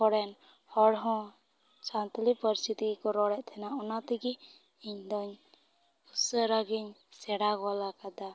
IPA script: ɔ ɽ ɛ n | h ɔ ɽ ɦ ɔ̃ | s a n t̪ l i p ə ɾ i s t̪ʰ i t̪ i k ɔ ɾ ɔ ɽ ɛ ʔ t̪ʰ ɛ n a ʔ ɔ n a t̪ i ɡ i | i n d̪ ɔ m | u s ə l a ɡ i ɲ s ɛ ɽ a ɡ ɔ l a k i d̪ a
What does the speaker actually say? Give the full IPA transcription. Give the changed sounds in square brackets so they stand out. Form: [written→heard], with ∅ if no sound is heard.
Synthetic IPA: ɔ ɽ ɛ n | h ɔ ɽ ɦ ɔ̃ | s a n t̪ l i p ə ɾ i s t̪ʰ i t̪ i k ɔ ɾ ɔ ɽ ɛ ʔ t̪ʰ ɛ n a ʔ ɔ n a t̪ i ɡ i | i [n→ɲ] d̪ ɔ [m→ɲ] | u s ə [l→ɾ] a ɡ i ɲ s ɛ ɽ a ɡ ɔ l a k [i→a] d̪ a

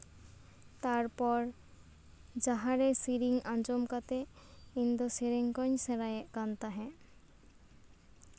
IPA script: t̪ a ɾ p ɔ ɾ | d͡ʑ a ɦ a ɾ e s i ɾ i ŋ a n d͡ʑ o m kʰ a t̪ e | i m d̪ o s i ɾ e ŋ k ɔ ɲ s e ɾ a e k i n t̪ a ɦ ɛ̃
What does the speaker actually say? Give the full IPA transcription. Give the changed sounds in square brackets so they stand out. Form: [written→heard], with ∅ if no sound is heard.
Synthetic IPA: t̪ a ɾ p ɔ ɾ | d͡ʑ a ɦ a ɾ e s i ɾ i ŋ a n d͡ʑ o m [kʰ→k] a t̪ e | i [m→n] d̪ o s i ɾ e ŋ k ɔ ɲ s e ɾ a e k [i→a] n t̪ a ɦ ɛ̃

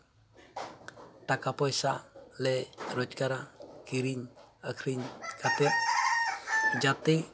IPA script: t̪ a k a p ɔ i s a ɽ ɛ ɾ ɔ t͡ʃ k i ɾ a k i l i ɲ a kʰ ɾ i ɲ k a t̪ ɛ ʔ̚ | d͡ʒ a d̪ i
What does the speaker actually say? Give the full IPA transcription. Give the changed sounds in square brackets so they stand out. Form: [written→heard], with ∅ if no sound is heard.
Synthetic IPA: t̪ a k a p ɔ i s a [ɽ→l] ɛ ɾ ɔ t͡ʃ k [i→a] ɾ a k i [l→ɾ] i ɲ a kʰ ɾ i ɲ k a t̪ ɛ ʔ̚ | d͡ʒ a [d̪→t̪] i

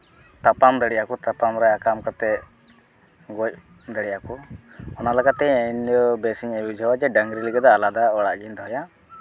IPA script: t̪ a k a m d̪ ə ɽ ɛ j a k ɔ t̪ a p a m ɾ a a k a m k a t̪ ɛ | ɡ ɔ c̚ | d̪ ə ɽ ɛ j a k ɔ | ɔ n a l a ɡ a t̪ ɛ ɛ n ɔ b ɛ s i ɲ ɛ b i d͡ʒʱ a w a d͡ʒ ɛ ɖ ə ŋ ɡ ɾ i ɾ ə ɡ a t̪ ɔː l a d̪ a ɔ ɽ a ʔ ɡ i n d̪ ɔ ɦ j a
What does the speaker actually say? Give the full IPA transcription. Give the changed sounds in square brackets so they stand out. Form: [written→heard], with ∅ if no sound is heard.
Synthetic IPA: t̪ a [k→p] a m d̪ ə ɽ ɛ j a k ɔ t̪ a p a m ɾ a a k a m k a t̪ ɛ | ɡ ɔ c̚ | d̪ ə ɽ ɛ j a k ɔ | ɔ n a l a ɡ a t̪ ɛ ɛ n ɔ b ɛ s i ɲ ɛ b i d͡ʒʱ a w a d͡ʒ ɛ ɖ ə ŋ ɡ ɾ i [ɾ→l] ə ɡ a [t̪→d̪] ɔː l a d̪ a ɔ ɽ a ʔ ɡ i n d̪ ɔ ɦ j a

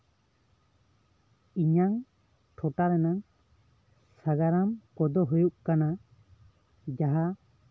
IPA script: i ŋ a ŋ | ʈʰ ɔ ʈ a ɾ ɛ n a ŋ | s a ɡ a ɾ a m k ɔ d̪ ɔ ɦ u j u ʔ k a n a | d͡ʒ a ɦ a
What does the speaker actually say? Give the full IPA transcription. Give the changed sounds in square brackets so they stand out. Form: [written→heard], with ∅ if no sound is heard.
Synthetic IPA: i [ŋ→ɲ] a ŋ | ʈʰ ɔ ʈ a ɾ ɛ n a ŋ | s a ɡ a ɾ a m k ɔ d̪ ɔ ɦ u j u ʔ k a n a | d͡ʒ a ɦ a

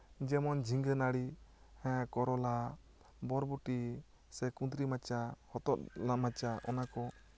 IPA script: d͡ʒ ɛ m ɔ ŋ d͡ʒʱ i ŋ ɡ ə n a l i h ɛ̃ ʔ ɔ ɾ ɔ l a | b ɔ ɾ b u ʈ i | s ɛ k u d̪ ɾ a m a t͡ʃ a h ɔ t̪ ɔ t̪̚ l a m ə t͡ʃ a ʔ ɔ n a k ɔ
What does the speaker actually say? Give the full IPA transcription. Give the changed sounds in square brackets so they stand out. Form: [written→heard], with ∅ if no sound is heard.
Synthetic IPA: d͡ʒ ɛ m ɔ [ŋ→n] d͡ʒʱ i ŋ ɡ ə n a [l→ɽ] i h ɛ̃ [ʔ→k] ɔ ɾ ɔ l a | b ɔ ɾ b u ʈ i | s ɛ k u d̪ ɾ [a→i] m a t͡ʃ a h ɔ t̪ ɔ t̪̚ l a m [ə→a] t͡ʃ a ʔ ɔ n a k ɔ

